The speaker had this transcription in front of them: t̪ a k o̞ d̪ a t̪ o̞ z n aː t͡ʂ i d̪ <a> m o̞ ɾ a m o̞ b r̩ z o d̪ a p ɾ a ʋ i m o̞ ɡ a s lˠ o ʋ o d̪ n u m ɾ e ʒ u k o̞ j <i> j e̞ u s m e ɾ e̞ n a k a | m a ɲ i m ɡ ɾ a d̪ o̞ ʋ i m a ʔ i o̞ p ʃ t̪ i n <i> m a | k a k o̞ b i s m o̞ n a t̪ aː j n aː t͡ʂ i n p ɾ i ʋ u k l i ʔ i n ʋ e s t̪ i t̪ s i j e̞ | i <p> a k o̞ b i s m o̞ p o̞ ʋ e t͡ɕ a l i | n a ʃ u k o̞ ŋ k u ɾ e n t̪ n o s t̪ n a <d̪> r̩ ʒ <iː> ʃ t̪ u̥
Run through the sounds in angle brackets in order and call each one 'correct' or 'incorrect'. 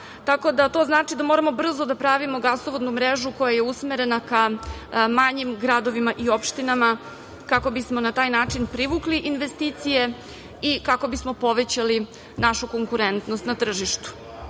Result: correct, incorrect: a, incorrect: a, incorrect: k, incorrect: t̪, incorrect: i

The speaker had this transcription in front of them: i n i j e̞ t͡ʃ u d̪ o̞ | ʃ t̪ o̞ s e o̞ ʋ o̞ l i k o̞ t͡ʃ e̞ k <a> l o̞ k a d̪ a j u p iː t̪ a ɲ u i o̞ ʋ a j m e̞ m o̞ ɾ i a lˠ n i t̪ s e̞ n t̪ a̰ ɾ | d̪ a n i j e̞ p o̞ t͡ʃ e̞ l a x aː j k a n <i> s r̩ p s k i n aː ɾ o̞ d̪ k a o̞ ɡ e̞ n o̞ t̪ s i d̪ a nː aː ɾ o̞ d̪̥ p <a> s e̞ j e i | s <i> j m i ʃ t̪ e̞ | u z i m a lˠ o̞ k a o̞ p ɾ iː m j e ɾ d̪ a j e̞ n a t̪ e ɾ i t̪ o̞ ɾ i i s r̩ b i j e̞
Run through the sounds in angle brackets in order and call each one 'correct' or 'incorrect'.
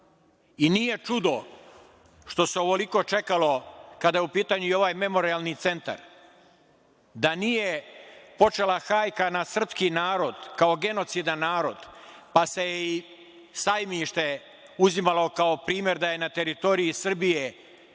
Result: correct, incorrect: a, correct, incorrect: a

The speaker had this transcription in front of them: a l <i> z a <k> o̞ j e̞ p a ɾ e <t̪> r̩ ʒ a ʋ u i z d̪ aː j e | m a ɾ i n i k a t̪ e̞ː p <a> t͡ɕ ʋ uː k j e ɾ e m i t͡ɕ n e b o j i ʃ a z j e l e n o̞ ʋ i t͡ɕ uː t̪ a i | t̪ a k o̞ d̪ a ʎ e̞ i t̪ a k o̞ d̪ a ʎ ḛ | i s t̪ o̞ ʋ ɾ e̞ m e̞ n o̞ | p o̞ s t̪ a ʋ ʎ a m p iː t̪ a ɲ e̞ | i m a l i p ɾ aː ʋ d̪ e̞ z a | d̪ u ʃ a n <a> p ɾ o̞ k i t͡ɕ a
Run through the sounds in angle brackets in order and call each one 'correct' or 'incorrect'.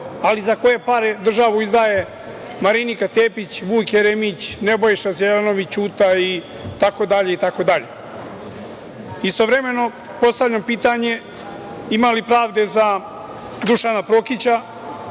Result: correct, correct, incorrect: d̪, incorrect: i, correct

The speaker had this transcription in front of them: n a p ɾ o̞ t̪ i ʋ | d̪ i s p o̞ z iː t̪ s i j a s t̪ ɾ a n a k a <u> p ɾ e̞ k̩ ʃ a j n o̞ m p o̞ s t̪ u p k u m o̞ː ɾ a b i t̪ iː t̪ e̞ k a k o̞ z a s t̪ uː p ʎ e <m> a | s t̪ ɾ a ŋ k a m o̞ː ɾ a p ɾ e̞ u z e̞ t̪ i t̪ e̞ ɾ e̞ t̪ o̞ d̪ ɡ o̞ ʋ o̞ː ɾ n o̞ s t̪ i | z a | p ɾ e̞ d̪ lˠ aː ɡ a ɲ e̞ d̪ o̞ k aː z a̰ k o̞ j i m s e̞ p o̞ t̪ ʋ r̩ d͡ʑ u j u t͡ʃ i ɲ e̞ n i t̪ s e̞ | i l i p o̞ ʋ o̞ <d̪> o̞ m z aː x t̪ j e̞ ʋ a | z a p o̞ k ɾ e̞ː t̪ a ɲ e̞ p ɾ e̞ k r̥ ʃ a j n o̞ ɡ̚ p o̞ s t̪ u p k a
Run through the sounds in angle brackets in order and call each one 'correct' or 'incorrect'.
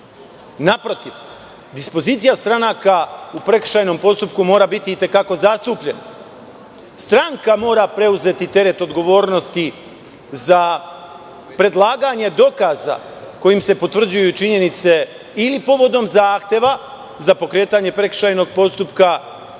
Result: correct, incorrect: n, correct

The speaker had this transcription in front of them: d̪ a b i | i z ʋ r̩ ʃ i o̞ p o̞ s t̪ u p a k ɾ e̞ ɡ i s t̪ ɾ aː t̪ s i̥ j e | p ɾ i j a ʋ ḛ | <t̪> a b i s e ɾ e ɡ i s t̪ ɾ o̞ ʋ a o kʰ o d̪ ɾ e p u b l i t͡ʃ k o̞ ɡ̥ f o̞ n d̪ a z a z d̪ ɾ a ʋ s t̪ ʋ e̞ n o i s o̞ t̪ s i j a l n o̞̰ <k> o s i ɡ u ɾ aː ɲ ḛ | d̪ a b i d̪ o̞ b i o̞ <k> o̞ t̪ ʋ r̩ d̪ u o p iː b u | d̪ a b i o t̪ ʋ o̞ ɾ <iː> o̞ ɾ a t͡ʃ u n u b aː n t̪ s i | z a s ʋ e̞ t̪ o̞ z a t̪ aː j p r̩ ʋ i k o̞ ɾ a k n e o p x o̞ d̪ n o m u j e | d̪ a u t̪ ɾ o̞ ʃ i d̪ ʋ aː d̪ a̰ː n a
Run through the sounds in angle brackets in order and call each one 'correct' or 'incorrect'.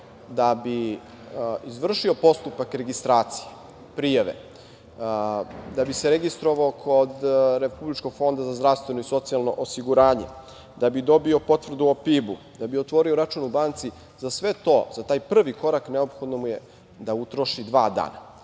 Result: incorrect: d̪, incorrect: ʔ, incorrect: p, incorrect: i

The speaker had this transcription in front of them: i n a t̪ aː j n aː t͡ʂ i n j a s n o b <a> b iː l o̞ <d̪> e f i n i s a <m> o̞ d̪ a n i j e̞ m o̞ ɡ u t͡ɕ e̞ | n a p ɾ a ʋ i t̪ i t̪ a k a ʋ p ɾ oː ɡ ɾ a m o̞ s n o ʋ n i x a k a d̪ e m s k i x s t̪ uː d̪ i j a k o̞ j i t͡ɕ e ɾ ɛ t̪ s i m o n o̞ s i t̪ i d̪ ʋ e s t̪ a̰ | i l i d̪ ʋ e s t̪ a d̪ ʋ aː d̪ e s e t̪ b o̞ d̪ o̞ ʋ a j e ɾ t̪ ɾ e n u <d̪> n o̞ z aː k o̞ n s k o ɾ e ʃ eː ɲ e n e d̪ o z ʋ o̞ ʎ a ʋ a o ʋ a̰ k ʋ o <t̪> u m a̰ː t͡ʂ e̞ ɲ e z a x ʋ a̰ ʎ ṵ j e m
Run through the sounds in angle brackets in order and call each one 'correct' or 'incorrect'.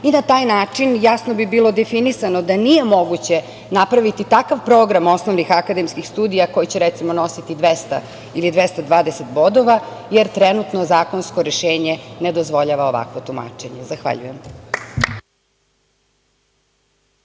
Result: incorrect: i, correct, incorrect: n, incorrect: t̪, correct

